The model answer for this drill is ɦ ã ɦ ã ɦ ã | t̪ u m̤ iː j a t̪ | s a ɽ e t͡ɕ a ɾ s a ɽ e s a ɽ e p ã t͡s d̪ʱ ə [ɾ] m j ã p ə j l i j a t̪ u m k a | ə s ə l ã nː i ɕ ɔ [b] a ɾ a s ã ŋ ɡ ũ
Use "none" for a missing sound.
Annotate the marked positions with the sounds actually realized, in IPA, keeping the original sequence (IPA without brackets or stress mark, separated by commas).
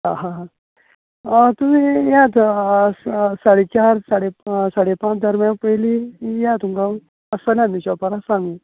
ɾ, p